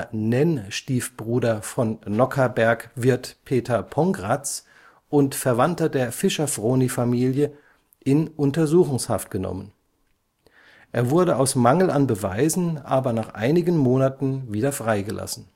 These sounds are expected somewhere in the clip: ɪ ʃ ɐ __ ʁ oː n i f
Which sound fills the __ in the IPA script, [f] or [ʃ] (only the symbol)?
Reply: f